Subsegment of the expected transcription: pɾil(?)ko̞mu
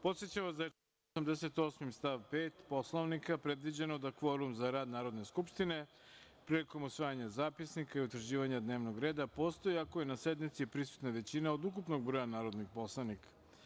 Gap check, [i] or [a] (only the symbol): i